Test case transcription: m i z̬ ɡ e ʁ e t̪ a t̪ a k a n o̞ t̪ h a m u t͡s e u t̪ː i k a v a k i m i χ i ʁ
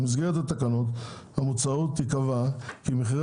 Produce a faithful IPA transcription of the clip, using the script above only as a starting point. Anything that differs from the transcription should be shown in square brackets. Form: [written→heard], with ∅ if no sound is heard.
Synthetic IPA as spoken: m i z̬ ɡ e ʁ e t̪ a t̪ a k a n o̞ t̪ h a m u t͡s [e→a] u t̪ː i k a v a k i m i χ i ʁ

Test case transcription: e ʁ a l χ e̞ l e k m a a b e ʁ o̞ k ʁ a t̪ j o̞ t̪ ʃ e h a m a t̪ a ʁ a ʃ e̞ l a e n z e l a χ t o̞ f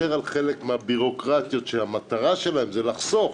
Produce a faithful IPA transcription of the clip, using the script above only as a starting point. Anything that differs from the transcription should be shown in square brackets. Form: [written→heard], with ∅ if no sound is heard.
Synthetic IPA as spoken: e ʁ a l χ e̞ l e k m [a→e] a b [e→i] ʁ o̞ k ʁ a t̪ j o̞ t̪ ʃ e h a m a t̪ a ʁ a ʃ e̞ l a e [n→m] z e l a χ [t→s] o̞ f

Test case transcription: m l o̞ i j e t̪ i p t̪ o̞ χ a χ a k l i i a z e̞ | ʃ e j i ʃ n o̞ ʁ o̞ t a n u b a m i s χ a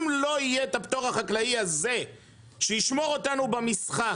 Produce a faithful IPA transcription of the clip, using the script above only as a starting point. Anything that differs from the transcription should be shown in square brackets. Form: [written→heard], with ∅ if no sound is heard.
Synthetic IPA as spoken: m l o̞ i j e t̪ [i→a] p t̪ o̞ [χ→ʁ] a χ a k l [i→a] i a z e̞ | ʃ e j i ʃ [n→m] o̞ ʁ o̞ t a n u b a m i s χ a

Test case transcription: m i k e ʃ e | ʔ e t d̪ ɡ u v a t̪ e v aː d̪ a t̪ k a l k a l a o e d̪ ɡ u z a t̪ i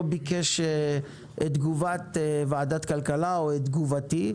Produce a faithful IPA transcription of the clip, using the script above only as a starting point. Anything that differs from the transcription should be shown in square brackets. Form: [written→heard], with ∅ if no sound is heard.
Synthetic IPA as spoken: [m→b] i k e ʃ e | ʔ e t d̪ ɡ u v a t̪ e v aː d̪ a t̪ k a l k a l a o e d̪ ɡ u [z→v] a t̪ i

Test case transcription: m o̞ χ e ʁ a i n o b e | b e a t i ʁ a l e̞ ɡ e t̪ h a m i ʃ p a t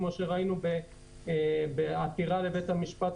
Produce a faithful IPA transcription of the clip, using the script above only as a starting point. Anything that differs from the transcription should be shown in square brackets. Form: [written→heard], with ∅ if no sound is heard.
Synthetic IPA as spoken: m o̞ [χ→ʃ] e ʁ a i n [o→u] b e | b e a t i ʁ a l e̞ [ɡ→b] e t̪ h a m i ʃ p a t

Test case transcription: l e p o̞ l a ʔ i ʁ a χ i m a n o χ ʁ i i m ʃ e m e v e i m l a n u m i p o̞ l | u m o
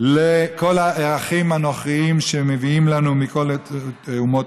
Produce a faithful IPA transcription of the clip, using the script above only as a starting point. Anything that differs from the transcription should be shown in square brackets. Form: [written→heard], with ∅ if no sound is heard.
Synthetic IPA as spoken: l e [p→k] o̞ l a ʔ [i→e] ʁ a χ i m a n o χ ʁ i i m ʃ e m e v [e→i] i m l a n u m i [p→k] o̞ l | u m o

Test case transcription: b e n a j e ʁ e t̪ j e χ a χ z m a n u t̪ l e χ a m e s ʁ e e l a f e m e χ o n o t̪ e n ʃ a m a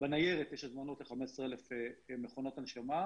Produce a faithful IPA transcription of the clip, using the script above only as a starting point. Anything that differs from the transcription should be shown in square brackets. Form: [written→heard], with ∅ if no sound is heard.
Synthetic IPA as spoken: b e n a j e ʁ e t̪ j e [χ→ʃ] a [χ→∅] z m a n [u→o] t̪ l e χ a m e s ʁ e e l [a→e] f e m e χ o n o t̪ [e→a] n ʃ a m a

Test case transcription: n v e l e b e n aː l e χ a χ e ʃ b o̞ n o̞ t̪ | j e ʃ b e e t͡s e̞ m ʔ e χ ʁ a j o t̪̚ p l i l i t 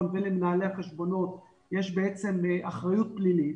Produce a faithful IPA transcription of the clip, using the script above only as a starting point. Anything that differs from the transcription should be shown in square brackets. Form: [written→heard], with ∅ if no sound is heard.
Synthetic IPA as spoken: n v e l e [b→m] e n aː l e [χ→∅] a χ e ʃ b o̞ n o̞ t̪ | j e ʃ b e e t͡s e̞ m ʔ [e→a] χ ʁ a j [o→u] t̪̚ p l i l i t

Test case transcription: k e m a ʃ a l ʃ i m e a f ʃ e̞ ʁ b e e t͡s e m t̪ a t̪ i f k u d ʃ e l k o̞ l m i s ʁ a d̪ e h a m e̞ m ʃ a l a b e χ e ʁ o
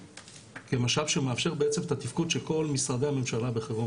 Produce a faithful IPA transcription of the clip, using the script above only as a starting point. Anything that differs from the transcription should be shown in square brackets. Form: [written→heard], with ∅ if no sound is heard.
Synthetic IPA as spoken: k e m a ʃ a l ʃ [i→e] m e a f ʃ e̞ ʁ b e e t͡s e m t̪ a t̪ i f k u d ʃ e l k o̞ l m i s ʁ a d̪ e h a m e̞ m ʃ a l a b e χ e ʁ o

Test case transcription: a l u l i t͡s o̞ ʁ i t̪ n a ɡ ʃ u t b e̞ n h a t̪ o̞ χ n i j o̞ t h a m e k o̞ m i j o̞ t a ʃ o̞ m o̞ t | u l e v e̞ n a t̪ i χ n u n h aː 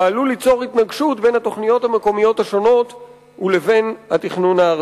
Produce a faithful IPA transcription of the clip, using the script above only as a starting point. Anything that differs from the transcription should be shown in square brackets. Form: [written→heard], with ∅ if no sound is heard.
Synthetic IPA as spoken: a l u l i t͡s o̞ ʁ i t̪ n a ɡ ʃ u t b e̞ n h a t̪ o̞ χ n i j o̞ t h a m e k o̞ m i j o̞ t a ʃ o̞ [m→n] o̞ t | u l e v e̞ n a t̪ i χ n u n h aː

